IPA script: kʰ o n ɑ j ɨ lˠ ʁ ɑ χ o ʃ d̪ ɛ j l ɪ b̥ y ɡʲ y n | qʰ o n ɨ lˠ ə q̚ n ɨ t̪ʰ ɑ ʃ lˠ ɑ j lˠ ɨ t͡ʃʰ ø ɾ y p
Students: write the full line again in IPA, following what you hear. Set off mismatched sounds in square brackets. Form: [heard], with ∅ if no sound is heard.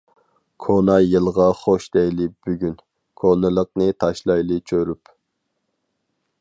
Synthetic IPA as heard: kʰ o n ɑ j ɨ lˠ ʁ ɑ χ o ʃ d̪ ɛ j l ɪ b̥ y ɡʲ y n | [kʰ] o n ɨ lˠ ə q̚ n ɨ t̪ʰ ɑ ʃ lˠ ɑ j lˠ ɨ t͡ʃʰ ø ɾ y p